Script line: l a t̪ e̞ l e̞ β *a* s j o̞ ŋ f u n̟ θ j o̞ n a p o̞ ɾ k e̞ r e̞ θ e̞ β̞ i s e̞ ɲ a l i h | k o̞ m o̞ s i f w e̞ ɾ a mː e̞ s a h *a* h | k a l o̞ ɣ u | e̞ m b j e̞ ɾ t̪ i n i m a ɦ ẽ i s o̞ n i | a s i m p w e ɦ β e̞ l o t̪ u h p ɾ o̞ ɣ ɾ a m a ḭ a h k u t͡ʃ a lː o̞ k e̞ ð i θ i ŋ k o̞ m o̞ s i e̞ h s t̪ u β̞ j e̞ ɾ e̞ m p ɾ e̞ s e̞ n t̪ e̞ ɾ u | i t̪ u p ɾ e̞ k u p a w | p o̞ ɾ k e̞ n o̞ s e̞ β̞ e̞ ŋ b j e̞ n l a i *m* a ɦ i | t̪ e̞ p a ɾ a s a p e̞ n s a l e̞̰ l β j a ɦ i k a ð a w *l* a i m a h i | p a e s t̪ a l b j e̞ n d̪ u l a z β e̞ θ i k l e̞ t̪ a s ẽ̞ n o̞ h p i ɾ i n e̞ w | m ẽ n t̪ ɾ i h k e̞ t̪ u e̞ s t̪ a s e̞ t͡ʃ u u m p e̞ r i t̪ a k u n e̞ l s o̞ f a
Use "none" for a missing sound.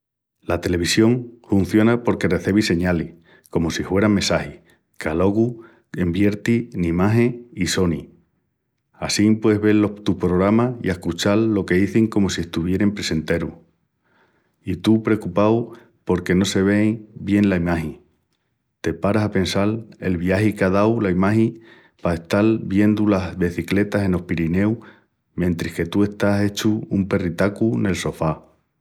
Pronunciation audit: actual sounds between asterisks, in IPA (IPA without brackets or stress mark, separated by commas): i, i, m, l